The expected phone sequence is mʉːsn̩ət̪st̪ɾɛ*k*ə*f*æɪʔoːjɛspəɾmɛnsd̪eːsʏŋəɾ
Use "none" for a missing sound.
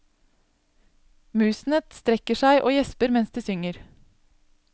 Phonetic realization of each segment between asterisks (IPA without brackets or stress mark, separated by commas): k, ʃ